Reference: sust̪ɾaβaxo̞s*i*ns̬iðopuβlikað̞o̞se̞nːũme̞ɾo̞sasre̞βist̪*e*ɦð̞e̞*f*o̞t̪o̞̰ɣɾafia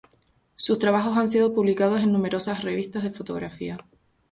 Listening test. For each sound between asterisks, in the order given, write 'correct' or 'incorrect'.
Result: incorrect: a, incorrect: a, correct

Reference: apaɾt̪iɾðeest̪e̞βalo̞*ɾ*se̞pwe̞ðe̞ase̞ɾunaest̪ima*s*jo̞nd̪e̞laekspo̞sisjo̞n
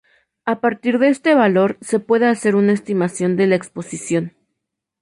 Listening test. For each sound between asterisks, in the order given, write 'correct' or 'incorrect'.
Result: correct, correct

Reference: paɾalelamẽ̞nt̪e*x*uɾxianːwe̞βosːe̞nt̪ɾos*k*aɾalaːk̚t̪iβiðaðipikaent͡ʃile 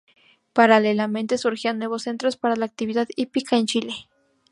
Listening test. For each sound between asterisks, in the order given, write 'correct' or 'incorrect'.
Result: incorrect: s, incorrect: p

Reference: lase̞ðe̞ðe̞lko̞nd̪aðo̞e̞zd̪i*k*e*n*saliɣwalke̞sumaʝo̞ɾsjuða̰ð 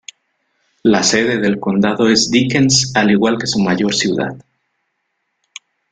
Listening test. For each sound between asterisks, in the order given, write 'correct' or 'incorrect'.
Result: correct, correct

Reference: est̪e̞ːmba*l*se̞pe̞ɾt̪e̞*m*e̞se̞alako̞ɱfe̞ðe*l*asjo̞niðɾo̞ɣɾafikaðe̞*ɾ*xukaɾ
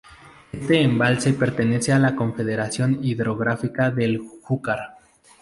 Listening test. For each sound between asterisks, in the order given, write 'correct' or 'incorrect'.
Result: correct, incorrect: n, incorrect: ɾ, incorrect: l

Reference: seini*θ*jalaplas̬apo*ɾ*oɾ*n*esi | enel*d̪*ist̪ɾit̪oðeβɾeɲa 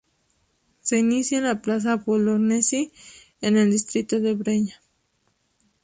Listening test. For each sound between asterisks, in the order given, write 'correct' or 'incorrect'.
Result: incorrect: s, incorrect: l, correct, correct

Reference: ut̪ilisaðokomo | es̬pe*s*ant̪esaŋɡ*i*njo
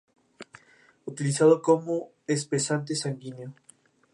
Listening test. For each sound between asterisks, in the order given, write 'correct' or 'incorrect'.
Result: correct, correct

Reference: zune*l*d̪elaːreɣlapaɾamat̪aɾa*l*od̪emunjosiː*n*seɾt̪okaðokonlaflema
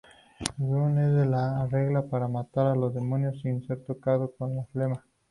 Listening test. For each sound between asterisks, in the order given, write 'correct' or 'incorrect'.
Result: incorrect: none, correct, correct

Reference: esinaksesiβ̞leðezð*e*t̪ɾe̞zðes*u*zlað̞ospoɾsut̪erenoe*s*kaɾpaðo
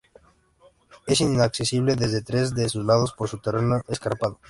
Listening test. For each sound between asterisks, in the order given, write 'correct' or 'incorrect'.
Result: correct, correct, correct

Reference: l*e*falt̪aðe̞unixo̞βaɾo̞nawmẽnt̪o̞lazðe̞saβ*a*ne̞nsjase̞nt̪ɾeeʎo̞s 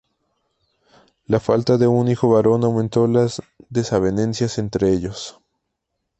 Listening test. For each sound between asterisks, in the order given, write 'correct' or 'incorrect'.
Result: incorrect: a, incorrect: e

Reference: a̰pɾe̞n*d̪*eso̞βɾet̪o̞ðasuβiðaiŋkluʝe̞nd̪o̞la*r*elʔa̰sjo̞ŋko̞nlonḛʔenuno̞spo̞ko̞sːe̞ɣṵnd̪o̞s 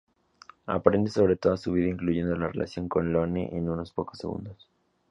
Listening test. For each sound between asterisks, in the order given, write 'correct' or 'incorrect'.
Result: correct, correct

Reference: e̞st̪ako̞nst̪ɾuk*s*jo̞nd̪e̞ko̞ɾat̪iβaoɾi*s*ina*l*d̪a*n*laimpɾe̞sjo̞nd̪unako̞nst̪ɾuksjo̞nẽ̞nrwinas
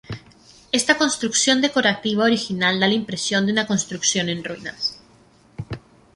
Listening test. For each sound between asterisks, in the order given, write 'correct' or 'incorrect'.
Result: correct, incorrect: x, correct, incorrect: none

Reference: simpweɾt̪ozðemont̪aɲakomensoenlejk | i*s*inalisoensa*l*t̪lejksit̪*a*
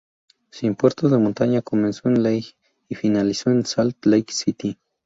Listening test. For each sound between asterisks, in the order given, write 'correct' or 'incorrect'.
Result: incorrect: f, correct, incorrect: i

